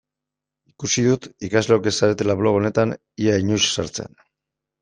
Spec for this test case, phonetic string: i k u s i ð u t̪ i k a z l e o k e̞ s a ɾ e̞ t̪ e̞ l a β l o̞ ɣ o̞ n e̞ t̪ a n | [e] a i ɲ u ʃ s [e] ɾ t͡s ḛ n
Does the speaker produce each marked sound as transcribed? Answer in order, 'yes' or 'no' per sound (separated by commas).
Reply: no, no